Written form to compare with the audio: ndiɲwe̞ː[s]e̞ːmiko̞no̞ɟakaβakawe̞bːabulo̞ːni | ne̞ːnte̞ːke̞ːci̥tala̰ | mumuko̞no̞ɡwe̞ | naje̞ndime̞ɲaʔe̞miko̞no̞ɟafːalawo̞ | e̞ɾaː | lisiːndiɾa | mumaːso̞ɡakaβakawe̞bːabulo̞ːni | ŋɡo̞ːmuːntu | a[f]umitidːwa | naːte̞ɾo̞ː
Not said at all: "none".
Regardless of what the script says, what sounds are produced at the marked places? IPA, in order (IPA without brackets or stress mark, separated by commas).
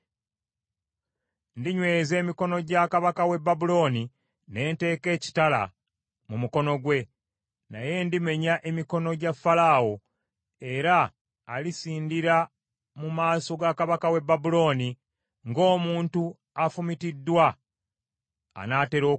z, f